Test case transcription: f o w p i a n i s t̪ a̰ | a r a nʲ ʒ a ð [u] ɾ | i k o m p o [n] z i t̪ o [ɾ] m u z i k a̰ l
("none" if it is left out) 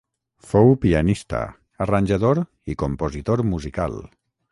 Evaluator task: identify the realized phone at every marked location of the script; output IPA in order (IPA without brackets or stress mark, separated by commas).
o, none, ɾ